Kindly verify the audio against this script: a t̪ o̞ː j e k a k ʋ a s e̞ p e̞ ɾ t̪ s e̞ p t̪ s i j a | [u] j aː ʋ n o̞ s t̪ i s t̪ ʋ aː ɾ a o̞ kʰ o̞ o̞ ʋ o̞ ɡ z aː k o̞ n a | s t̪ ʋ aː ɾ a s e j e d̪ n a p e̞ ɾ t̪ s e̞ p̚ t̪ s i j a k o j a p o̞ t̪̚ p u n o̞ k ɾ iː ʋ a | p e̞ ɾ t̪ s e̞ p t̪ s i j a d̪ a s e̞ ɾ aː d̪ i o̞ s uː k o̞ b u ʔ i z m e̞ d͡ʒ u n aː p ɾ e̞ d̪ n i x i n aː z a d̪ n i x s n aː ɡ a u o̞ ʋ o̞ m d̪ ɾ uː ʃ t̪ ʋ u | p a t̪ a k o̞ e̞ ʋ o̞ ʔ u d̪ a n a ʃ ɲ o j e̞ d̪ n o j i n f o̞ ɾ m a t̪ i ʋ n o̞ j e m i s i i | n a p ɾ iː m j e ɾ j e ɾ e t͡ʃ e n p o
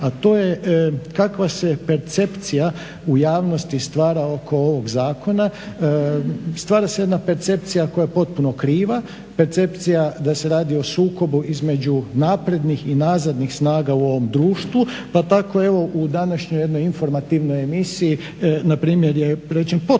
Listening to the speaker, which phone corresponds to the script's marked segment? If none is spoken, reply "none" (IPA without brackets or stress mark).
u